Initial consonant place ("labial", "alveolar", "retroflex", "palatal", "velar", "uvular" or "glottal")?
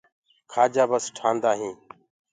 velar